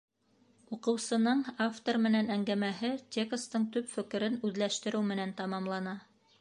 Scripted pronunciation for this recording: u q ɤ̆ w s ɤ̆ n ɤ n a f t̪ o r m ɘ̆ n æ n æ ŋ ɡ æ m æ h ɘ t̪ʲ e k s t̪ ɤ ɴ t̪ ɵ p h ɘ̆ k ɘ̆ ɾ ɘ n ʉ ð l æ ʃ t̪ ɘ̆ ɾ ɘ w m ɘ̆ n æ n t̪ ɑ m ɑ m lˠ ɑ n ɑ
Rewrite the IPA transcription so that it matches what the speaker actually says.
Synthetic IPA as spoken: u q ɤ̆ w s ɤ̆ n ɤ ɴ a f t̪ o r m ɘ̆ n æ n æ ŋ ɡ æ m æ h ɘ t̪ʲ e k s t̪ ɤ ɴ t̪ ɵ p f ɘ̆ k ɘ̆ ɾ ɘ n ʉ ð l æ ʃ t̪ ɘ̆ ɾ ɘ w m ɘ̆ n æ n t̪ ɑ m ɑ m lˠ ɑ n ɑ